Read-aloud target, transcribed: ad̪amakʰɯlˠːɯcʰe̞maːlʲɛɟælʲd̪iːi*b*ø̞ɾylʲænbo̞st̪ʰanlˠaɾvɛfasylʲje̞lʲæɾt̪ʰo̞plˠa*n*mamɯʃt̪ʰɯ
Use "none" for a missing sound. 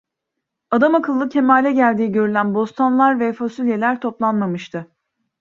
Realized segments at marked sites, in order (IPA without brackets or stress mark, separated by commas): ɟ, n